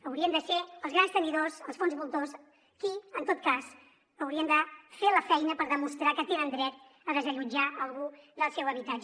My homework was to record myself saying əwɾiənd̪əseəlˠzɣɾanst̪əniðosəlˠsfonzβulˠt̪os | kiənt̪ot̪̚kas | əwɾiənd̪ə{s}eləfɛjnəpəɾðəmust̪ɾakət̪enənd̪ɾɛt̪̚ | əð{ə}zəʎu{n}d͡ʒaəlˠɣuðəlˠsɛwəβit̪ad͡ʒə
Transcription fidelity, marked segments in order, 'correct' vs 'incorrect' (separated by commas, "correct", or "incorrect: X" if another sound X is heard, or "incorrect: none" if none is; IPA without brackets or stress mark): incorrect: f, correct, incorrect: none